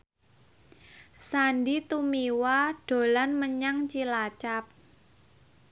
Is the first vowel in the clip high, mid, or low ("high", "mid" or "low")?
low